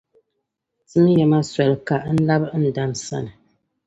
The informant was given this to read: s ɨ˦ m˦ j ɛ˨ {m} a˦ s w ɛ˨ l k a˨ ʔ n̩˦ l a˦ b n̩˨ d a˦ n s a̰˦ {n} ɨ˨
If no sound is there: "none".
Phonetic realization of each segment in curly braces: m, n

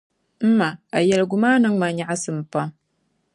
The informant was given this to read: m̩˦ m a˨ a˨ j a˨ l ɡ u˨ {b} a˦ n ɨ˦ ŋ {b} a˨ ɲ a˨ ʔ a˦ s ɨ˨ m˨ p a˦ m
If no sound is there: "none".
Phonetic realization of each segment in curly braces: m, m

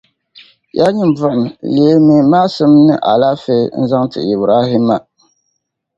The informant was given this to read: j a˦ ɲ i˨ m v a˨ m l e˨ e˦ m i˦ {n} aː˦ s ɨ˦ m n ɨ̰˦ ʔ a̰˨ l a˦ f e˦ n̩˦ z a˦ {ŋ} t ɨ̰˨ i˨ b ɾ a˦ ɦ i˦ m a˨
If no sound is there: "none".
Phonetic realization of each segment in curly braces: m, ŋ

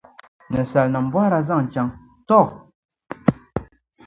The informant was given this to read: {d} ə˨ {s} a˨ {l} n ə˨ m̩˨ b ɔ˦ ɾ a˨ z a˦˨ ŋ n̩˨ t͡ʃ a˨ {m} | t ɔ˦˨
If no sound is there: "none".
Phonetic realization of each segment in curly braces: n, s, l, ŋ

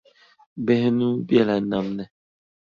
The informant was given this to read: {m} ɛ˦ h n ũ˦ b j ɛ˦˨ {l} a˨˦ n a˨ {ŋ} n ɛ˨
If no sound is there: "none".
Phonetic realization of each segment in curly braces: b, l, m

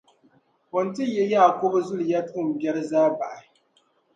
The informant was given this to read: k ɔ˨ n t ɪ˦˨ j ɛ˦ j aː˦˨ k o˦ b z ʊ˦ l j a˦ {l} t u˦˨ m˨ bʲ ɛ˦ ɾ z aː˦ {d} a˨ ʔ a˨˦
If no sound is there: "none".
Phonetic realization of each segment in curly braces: none, b

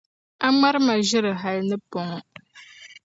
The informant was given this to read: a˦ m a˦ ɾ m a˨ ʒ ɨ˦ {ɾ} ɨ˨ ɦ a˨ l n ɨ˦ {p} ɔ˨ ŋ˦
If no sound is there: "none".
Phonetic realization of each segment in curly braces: ɾ, p

